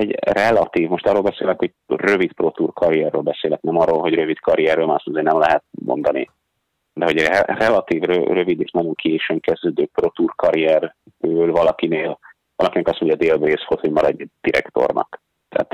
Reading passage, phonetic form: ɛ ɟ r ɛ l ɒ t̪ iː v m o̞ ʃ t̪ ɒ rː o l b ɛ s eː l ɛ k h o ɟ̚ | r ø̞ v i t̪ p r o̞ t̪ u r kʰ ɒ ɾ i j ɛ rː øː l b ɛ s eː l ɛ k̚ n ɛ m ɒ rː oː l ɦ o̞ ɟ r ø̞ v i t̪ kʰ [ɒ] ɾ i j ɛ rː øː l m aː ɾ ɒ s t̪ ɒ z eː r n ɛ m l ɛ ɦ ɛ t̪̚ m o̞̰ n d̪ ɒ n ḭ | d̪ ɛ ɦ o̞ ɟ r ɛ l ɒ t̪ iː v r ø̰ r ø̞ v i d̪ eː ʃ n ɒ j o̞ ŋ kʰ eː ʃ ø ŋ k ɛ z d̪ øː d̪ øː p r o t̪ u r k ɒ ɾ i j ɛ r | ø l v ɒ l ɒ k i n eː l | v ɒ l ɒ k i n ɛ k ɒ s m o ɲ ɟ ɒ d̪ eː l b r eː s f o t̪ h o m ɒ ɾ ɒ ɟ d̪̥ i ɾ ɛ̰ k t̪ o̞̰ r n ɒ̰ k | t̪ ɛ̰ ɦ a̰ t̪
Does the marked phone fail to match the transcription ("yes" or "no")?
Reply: no